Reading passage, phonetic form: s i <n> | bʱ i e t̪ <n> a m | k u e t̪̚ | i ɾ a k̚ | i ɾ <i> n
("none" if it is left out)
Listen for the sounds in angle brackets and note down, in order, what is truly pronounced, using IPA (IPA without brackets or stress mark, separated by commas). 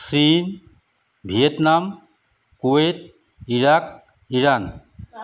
n, n, a